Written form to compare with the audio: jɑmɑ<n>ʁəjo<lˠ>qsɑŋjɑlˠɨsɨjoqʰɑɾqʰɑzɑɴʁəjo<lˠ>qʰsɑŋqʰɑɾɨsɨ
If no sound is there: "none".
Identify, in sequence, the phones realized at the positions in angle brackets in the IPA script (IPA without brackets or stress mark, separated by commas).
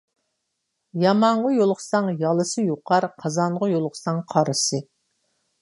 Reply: ɴ, lˠ, lˠ